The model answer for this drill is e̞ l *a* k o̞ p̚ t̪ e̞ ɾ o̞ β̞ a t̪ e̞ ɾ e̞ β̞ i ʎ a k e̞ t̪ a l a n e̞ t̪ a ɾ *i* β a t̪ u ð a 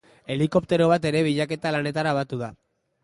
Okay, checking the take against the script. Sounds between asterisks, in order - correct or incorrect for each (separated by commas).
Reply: incorrect, incorrect